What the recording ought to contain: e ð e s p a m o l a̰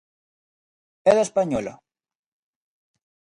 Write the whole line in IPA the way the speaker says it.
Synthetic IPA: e ð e s p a ɲ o l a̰

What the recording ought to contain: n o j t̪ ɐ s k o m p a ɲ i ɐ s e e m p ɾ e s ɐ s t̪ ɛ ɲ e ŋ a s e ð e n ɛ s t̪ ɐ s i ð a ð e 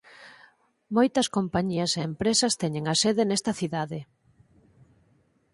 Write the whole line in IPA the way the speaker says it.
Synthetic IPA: m o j t̪ ɐ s k o m p a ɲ i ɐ s e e m p ɾ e s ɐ s t̪ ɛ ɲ e ŋ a s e ð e n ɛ s t̪ ɐ θ i ð a ð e

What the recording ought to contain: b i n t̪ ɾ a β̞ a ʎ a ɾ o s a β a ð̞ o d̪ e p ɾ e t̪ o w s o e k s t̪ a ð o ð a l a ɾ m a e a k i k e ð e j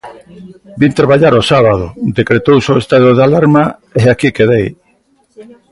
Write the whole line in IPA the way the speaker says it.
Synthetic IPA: b i n t̪ ɾ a β̞ a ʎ a ɾ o s a β a ð̞ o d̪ e k ɾ e t̪ o w s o e s t̪ a ð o ð a l a ɾ m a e a k i k e ð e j

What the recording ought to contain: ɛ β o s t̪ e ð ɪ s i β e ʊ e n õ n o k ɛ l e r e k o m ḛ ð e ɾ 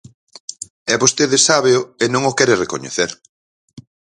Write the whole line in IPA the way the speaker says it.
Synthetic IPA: ɛ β o s t̪ e ð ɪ s a β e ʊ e n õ ŋ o k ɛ ɾ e r e k o ɲ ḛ θ e ɾ

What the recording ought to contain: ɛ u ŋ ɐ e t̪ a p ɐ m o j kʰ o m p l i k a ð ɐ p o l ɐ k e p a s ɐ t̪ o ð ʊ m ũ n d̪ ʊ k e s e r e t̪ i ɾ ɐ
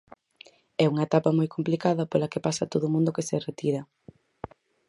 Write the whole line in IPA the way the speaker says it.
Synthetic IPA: ɛ u ŋ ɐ e t̪ a p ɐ m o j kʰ o m p l i k a ð ɐ p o l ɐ k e p a s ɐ t̪ o ð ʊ m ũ n d̪ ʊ k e s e r e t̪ i ɾ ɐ

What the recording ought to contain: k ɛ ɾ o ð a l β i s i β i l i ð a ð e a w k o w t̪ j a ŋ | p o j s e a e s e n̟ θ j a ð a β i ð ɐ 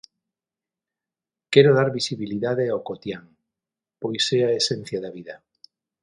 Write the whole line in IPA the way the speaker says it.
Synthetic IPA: k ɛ ɾ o ð a ɾ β i s i β i l i ð a ð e a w k o t̪ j a ŋ | p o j s e a e s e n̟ θ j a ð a β i ð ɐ

